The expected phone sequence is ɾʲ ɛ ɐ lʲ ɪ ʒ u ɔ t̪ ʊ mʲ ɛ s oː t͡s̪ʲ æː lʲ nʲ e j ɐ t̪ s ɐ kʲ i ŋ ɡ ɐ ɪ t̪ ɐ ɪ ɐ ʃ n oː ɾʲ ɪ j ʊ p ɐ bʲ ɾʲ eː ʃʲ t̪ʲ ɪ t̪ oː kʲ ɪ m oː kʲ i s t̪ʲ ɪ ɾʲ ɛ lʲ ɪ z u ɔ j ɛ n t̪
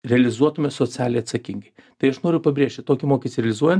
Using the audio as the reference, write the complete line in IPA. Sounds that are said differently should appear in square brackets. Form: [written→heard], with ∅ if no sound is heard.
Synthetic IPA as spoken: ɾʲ ɛ ɐ lʲ ɪ [ʒ→z] u ɔ t̪ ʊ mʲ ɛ s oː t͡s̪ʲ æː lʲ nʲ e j ɐ t̪ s ɐ kʲ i ŋ ɡ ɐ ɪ t̪ ɐ ɪ ɐ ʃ n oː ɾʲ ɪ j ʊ p ɐ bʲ ɾʲ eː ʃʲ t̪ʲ ɪ t̪ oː kʲ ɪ m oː kʲ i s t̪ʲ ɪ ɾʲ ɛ lʲ ɪ z u ɔ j ɛ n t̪